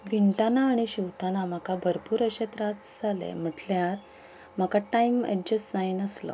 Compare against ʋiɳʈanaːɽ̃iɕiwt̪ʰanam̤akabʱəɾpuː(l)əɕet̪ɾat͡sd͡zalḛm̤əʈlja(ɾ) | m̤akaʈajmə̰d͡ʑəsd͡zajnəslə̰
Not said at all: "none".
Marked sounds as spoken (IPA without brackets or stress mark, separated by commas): ɾ, ɾ